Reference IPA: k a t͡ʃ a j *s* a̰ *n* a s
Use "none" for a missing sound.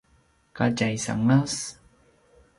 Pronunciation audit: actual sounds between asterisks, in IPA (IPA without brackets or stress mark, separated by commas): s, ŋ